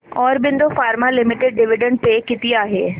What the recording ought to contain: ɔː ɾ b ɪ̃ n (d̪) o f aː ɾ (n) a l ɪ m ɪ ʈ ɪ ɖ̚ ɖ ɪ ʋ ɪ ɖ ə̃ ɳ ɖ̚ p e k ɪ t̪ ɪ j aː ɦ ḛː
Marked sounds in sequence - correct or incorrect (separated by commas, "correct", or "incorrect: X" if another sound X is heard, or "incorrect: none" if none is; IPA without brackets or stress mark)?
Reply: correct, incorrect: m